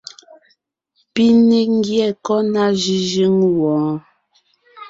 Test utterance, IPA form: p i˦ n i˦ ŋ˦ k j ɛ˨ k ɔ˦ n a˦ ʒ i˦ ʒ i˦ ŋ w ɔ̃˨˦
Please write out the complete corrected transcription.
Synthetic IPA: p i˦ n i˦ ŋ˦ ɡ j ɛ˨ k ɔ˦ n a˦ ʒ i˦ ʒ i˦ ŋ w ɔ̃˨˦